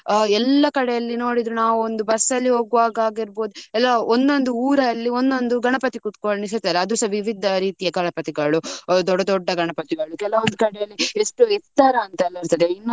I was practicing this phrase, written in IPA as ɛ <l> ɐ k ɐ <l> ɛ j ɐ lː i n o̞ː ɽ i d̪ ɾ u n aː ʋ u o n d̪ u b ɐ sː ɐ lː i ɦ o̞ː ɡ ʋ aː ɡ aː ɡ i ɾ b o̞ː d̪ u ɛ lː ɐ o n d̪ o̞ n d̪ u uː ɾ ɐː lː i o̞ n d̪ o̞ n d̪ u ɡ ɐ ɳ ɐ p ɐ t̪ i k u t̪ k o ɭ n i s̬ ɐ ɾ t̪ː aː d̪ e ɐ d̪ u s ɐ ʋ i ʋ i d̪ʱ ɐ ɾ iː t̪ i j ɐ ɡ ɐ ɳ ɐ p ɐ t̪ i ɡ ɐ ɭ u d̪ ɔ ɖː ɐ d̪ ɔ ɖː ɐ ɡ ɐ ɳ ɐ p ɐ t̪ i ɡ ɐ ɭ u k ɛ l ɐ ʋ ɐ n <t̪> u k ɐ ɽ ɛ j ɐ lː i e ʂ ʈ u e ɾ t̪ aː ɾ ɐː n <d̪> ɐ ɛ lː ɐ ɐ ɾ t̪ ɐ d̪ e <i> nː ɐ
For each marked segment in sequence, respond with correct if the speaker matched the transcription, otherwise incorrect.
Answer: incorrect: lː, incorrect: ɽ, incorrect: d̪, incorrect: t̪, correct

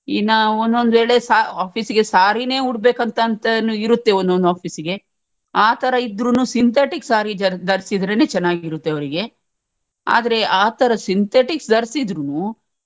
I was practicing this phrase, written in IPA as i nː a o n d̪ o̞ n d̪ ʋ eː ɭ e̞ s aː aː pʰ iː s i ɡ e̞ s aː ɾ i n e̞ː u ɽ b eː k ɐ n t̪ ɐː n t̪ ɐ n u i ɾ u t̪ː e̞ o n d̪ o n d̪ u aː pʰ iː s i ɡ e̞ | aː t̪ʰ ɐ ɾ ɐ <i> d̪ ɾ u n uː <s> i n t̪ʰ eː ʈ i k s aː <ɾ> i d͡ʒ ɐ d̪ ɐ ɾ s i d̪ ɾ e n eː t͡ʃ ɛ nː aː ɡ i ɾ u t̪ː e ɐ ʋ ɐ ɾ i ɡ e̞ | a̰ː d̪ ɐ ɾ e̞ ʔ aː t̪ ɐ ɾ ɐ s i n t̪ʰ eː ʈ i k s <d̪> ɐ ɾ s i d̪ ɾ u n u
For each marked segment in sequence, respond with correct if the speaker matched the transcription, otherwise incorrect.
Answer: correct, correct, correct, correct

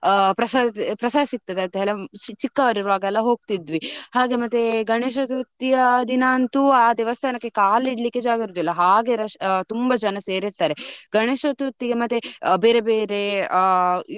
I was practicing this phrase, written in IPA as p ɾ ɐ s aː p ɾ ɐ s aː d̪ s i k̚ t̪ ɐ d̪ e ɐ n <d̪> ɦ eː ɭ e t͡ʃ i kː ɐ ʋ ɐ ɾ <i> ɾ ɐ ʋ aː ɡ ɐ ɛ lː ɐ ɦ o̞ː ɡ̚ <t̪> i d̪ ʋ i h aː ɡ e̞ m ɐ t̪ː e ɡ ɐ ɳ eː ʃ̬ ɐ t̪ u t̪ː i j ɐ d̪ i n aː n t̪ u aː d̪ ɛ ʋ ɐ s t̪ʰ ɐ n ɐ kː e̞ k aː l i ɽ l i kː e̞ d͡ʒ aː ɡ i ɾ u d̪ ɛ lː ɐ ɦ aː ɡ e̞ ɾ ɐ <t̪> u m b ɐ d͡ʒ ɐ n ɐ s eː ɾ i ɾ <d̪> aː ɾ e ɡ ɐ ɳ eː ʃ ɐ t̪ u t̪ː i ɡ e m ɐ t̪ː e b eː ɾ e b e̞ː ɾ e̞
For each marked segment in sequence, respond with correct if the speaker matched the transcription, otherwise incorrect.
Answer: incorrect: t̪, correct, correct, correct, incorrect: t̪

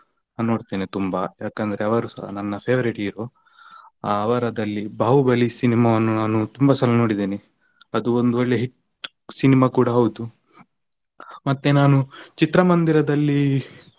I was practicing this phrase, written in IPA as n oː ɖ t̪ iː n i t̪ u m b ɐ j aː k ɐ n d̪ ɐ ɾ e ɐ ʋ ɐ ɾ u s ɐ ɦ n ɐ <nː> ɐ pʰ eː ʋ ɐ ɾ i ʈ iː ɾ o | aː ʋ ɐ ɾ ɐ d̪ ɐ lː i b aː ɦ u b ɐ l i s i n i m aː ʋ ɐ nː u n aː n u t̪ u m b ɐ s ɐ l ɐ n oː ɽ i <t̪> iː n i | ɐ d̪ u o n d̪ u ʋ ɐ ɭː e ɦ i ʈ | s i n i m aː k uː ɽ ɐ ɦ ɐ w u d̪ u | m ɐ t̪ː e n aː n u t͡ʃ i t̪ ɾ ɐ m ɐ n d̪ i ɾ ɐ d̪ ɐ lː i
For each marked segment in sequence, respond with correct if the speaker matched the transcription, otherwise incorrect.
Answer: correct, incorrect: d̪

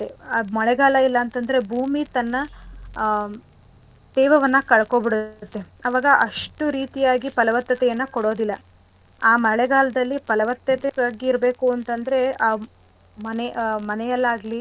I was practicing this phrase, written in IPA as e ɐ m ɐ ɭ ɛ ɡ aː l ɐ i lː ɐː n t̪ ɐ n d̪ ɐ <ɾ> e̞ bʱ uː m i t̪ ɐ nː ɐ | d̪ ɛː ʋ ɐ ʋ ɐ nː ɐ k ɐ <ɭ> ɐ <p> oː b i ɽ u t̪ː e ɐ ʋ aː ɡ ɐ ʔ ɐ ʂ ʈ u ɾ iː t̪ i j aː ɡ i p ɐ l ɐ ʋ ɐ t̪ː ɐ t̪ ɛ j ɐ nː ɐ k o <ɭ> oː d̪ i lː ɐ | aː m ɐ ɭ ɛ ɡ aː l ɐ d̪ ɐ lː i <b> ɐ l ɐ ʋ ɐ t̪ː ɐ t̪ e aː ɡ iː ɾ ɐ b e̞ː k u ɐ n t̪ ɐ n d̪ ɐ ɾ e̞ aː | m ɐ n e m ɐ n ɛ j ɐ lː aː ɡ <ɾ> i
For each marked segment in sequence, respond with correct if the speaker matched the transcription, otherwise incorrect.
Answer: correct, correct, incorrect: k, incorrect: ɽ, incorrect: p, incorrect: l

